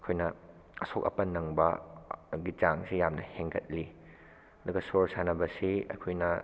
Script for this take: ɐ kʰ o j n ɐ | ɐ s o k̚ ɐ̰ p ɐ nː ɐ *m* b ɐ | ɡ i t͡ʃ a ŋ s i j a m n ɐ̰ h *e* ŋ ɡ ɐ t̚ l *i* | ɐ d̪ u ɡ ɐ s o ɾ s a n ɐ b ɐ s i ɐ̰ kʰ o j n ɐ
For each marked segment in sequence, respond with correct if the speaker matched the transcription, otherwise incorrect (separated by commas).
incorrect, correct, correct